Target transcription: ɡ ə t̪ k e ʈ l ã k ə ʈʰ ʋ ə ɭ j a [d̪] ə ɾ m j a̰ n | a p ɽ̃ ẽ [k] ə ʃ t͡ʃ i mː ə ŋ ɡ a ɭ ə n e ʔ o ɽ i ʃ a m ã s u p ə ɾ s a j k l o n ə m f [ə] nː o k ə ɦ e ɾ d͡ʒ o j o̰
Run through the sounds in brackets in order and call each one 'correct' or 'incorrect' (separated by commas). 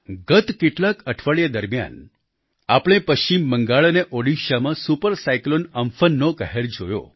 correct, incorrect, correct